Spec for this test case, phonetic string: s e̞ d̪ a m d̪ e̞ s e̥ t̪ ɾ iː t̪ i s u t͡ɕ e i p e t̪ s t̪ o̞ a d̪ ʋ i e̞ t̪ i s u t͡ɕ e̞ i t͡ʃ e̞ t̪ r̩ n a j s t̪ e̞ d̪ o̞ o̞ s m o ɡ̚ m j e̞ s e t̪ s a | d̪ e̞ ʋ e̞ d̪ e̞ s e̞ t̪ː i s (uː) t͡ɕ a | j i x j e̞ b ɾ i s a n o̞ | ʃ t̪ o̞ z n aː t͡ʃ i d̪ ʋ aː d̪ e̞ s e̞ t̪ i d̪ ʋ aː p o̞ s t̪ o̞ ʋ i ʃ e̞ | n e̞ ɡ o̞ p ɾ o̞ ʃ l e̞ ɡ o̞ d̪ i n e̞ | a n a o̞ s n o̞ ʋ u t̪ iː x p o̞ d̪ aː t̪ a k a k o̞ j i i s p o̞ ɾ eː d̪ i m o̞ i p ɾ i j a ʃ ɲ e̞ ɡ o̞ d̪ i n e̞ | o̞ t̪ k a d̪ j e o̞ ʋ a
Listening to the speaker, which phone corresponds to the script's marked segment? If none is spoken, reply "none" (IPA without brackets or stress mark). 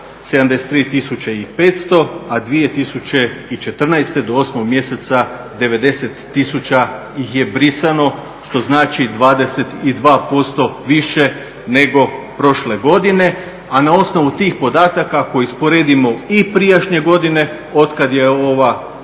u